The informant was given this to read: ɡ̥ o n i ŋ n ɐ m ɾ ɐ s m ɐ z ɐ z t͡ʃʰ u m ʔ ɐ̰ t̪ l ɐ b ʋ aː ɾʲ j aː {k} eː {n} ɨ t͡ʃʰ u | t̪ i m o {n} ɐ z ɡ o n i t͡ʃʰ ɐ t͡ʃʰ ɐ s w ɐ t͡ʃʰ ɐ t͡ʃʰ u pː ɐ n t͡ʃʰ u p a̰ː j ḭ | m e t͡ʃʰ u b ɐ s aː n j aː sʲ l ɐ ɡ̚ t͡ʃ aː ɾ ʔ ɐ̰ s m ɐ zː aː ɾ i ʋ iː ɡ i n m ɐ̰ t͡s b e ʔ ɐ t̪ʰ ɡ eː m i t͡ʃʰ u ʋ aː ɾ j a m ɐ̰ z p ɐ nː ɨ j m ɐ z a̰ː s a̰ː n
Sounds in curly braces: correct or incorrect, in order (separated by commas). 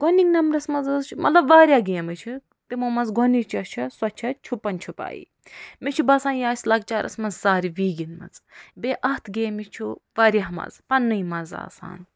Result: incorrect, incorrect, incorrect